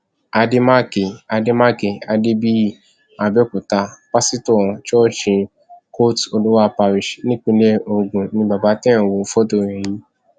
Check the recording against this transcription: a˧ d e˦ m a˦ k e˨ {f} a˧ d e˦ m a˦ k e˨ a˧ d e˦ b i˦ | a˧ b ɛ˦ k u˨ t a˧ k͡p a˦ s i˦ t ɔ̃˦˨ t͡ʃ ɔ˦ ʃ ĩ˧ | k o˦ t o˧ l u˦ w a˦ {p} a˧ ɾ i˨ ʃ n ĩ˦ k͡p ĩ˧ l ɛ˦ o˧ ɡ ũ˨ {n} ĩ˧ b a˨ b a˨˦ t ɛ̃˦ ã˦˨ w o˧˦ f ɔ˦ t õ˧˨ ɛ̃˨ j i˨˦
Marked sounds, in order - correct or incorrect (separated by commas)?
incorrect, correct, correct